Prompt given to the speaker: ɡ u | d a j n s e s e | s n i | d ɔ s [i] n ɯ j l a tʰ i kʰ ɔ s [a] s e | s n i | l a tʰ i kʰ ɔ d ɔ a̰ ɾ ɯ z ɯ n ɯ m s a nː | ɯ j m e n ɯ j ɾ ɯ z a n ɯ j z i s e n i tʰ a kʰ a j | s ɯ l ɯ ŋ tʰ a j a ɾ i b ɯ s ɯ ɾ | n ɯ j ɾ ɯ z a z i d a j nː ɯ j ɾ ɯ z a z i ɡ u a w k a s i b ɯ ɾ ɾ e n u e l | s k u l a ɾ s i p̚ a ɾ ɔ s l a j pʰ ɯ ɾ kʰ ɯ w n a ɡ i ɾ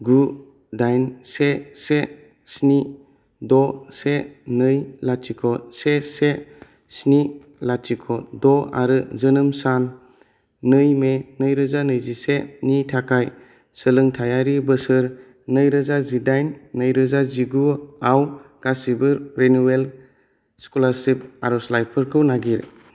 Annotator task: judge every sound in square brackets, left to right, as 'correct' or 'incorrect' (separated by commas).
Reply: incorrect, incorrect